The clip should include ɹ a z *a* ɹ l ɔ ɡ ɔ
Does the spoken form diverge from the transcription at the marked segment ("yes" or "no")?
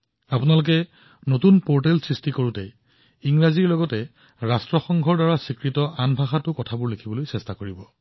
yes